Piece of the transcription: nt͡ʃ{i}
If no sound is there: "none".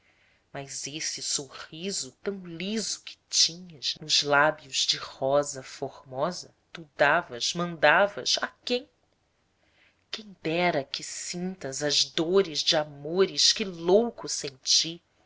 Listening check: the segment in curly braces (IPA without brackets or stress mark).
i